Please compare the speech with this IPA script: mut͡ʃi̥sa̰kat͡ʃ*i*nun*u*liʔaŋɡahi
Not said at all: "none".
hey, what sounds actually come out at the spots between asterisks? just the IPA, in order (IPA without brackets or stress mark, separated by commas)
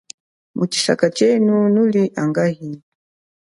ɛ, u